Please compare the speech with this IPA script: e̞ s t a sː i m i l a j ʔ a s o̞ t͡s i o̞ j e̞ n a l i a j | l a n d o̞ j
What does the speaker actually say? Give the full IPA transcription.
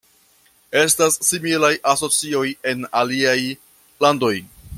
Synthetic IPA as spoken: e̞ s t a sː i m i l a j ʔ a s o̞ t͡s i o̞ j e̞ n a l i a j | l a n d o̞ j